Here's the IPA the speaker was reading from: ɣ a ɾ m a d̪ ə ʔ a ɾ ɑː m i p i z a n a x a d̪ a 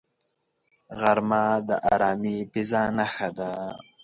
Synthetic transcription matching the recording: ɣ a ɾ m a d̪ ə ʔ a ɾ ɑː m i p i z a n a x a d̪ a